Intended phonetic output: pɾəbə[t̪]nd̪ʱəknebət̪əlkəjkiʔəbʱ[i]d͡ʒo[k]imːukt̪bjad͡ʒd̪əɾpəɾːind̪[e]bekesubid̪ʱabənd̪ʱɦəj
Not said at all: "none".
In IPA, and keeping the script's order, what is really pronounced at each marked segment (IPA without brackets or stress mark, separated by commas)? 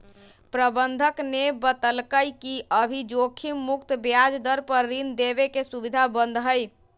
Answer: none, i, kʰ, e